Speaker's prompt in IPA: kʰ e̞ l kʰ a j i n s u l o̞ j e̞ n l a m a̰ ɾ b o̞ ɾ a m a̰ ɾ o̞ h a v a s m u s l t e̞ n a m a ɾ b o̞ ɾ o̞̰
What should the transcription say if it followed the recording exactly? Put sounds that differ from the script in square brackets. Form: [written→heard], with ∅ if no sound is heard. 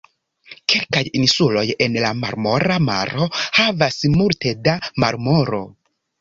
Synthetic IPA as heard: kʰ e̞ l [kʰ→k] a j i n s u l o̞ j e̞ n l a m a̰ ɾ [b→m] o̞ ɾ a m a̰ ɾ o̞ h a v a s m u [s→∅] l t e̞ [n→d] a m a ɾ [b→m] o̞ ɾ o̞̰